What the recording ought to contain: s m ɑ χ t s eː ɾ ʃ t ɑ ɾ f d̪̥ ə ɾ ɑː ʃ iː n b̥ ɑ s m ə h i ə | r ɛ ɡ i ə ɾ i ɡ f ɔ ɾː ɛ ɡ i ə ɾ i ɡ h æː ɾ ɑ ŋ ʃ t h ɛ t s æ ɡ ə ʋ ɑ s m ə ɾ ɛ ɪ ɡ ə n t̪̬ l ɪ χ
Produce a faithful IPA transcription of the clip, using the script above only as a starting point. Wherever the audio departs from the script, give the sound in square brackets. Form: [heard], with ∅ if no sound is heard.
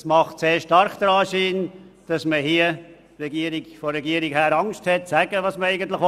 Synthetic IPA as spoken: s m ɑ χ t s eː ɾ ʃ t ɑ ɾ [χ] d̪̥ ə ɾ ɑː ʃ iː n [d̥] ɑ s m ə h i ə | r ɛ ɡ i ə ɾ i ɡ f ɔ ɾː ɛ ɡ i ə ɾ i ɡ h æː ɾ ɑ ŋ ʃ t h ɛ t s æ ɡ ə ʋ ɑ s m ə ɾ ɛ ɪ ɡ ə n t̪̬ l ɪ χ